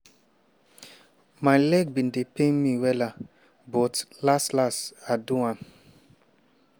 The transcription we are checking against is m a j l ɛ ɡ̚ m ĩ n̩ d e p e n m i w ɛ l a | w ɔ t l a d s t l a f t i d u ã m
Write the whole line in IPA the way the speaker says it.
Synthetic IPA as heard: m a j l ɛ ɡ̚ b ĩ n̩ d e p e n m i w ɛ l a | b ɔ t l a s t l a s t a d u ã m